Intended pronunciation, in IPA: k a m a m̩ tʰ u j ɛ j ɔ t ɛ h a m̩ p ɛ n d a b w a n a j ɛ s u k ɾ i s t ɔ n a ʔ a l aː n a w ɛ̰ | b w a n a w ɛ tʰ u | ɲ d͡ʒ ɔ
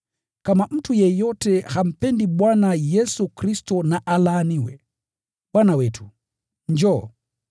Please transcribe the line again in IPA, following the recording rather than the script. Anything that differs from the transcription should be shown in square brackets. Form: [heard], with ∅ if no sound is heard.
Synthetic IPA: k a m a m̩ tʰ u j ɛ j ɔ t ɛ h a m̩ p ɛ n d [i] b w a n a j ɛ s u k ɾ i s t ɔ n a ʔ a l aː n [i] w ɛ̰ | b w a n a w ɛ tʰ u | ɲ d͡ʒ ɔ